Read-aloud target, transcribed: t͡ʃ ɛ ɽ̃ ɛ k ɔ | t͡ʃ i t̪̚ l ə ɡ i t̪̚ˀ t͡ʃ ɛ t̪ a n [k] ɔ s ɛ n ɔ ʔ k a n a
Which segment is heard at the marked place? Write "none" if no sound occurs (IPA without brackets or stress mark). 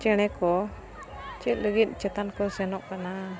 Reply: k